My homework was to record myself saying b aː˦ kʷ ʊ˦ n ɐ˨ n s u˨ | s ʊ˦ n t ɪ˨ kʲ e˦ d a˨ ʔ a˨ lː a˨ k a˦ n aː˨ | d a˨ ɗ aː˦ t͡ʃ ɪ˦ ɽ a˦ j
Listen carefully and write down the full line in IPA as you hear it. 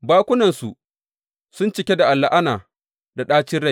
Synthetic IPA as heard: b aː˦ kʷ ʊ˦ n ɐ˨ n s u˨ | s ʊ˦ n t͡ʃ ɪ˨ kʲ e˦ d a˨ ʔ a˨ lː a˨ ʔ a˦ n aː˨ | d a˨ ɗ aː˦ t͡ʃ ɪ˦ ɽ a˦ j